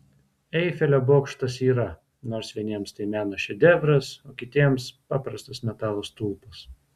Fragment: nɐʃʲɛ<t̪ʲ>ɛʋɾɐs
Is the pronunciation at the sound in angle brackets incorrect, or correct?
incorrect